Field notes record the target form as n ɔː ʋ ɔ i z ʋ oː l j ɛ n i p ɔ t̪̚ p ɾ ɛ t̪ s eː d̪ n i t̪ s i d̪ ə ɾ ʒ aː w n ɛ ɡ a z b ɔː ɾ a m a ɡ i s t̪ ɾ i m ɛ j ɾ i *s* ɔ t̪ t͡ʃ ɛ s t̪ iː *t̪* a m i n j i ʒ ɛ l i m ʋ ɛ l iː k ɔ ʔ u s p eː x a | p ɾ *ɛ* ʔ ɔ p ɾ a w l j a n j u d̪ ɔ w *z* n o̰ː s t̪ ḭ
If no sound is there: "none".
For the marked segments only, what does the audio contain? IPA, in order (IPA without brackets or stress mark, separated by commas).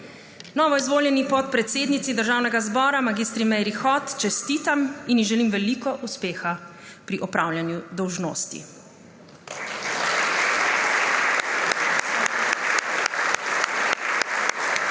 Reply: x, t̪, i, ʒ